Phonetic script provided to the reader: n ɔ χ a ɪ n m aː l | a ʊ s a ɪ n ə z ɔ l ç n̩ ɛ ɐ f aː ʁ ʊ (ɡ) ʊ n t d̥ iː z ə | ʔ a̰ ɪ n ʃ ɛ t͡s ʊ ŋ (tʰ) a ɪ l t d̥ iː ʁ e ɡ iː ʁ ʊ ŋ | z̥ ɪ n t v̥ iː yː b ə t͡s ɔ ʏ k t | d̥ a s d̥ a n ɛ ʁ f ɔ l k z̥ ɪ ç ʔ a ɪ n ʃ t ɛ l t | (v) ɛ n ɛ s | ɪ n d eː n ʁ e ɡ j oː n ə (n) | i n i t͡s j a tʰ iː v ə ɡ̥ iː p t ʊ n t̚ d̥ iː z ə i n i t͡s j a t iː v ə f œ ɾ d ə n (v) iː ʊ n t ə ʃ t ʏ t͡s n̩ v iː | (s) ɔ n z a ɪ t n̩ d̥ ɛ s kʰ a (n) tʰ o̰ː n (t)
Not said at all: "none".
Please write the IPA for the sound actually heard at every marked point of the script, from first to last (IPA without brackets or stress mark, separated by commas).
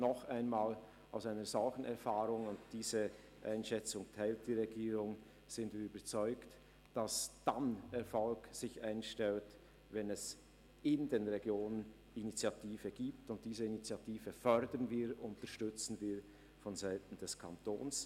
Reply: ŋ, tʰ, v, n, v, f, n, s